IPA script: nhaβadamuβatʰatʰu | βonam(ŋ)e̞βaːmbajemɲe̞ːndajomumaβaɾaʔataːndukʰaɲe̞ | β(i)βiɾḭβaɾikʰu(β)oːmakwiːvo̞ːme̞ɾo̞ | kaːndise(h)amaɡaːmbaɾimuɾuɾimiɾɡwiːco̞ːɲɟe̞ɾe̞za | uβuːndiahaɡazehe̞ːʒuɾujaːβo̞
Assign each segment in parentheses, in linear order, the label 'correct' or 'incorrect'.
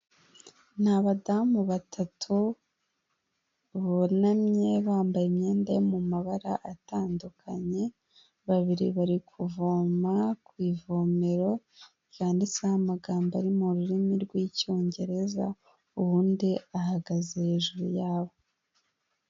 incorrect: ɲ, incorrect: a, incorrect: v, correct

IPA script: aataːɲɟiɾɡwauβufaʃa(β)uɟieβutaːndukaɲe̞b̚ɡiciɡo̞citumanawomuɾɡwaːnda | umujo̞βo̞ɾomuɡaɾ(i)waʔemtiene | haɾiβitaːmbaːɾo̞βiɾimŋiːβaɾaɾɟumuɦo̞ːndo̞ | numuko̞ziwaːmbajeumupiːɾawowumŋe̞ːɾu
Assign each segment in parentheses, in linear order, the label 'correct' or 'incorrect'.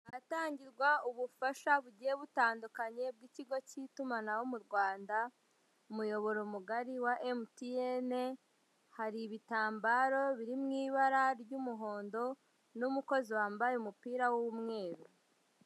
correct, correct

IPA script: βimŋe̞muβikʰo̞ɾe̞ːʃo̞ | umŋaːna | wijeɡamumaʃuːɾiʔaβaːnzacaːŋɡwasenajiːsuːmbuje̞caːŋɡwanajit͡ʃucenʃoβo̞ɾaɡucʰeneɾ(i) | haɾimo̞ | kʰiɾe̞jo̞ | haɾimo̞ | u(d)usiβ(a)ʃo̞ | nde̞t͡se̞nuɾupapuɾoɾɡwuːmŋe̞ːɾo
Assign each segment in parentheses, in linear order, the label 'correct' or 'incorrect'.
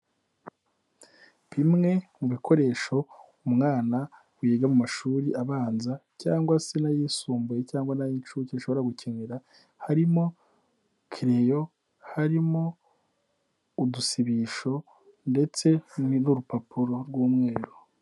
incorrect: a, correct, incorrect: i

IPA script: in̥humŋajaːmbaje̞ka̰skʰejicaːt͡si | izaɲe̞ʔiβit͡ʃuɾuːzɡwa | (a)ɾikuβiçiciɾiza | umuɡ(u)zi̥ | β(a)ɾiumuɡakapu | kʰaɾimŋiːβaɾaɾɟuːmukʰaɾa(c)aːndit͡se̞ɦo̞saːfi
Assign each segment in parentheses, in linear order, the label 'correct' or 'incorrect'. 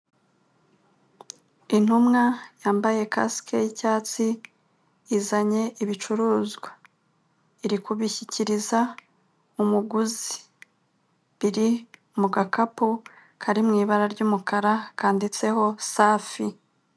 incorrect: i, correct, incorrect: i, incorrect: k

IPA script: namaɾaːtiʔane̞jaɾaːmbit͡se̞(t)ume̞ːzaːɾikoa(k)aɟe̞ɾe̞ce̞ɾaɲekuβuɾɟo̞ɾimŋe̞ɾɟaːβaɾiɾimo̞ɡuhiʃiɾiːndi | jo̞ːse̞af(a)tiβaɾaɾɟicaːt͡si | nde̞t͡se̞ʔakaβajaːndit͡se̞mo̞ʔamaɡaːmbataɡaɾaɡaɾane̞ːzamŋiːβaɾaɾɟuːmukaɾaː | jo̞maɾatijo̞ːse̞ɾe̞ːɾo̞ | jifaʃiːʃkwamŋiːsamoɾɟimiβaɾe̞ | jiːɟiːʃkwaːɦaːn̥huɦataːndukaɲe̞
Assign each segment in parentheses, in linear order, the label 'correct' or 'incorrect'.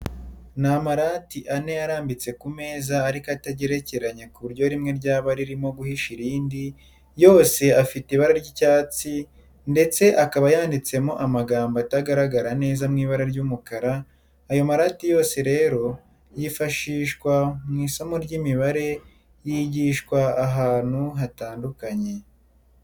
incorrect: k, incorrect: t, incorrect: i

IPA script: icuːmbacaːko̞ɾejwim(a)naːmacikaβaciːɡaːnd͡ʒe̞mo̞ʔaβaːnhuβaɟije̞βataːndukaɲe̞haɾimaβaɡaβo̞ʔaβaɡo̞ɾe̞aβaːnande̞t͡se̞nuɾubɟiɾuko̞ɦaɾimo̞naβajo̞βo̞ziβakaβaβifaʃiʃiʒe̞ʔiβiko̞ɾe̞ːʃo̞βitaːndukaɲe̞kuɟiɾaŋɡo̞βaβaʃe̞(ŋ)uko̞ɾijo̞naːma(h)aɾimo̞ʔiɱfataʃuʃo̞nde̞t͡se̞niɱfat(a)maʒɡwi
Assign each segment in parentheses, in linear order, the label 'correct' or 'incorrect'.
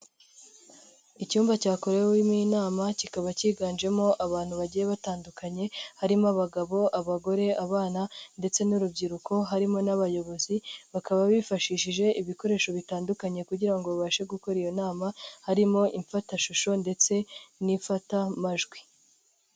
incorrect: i, incorrect: ɡ, correct, correct

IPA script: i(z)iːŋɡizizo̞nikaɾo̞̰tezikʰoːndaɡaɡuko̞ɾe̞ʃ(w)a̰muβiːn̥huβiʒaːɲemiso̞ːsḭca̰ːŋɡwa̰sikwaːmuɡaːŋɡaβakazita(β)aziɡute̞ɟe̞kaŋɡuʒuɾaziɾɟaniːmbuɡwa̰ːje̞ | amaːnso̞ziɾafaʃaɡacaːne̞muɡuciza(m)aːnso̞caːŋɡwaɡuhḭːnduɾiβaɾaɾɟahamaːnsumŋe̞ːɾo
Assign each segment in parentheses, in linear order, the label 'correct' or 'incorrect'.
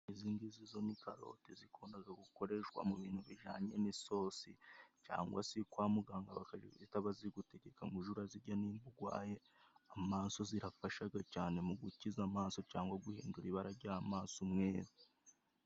correct, correct, correct, correct

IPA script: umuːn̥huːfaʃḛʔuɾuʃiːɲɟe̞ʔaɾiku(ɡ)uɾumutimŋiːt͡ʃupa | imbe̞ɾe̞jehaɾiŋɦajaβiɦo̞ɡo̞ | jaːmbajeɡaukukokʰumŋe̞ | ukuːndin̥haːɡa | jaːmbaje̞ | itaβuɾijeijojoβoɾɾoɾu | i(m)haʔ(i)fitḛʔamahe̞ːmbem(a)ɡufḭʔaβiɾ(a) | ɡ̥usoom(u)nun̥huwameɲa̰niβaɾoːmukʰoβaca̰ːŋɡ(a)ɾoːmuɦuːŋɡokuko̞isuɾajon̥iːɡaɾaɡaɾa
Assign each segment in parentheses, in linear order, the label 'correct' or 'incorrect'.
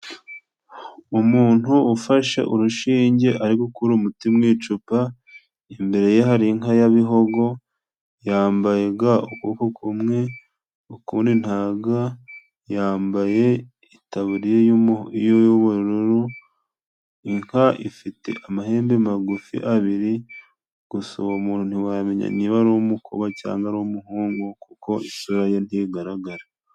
incorrect: k, incorrect: ŋ, correct, correct, incorrect: i, incorrect: uː, correct

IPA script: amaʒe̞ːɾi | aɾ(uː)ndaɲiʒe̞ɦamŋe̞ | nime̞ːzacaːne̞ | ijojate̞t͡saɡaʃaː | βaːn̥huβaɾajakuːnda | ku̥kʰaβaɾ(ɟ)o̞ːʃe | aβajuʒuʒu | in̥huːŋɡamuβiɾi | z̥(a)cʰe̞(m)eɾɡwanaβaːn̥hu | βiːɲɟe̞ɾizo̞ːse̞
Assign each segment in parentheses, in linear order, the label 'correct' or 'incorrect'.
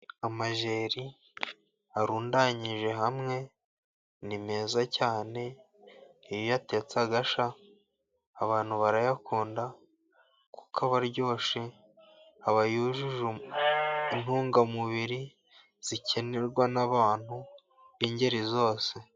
correct, correct, incorrect: i, incorrect: n

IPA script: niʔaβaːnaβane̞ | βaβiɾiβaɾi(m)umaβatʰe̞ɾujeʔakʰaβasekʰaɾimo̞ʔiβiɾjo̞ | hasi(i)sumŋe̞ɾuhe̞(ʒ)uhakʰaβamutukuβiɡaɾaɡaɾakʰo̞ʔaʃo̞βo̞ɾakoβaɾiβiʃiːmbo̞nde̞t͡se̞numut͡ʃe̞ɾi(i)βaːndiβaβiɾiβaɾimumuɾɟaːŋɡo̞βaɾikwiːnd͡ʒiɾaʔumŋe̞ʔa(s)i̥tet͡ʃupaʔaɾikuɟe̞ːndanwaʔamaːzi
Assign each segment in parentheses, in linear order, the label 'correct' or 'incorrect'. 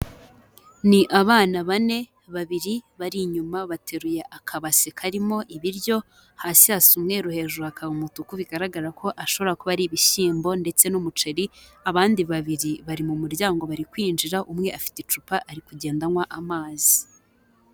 incorrect: ɲ, incorrect: a, correct, incorrect: a, incorrect: f

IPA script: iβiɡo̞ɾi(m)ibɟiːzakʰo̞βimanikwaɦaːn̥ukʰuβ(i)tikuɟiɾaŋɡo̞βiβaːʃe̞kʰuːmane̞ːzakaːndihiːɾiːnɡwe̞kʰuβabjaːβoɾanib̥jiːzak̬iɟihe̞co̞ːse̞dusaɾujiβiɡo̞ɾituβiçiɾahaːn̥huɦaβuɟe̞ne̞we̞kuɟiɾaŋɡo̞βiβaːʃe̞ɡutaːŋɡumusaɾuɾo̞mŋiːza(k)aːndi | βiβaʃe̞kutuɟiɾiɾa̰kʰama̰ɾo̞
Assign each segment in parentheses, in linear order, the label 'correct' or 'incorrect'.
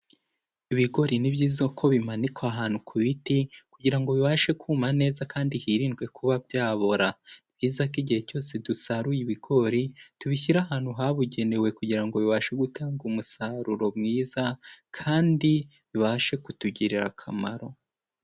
incorrect: n, correct, incorrect: kʰ

